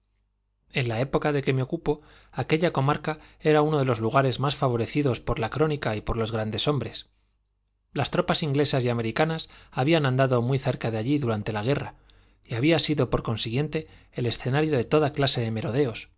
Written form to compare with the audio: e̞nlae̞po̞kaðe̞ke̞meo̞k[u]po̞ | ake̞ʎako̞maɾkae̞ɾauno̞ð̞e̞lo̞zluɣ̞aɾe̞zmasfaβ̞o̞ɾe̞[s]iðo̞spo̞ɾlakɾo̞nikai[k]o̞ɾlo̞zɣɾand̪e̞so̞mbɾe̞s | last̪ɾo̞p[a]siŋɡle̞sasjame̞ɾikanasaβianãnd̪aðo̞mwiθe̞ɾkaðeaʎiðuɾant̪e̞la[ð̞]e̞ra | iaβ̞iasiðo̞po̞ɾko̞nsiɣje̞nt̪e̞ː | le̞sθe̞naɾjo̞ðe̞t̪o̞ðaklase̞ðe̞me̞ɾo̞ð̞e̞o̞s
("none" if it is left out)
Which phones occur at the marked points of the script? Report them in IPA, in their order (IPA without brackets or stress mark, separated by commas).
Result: u, θ, p, a, ɣ̞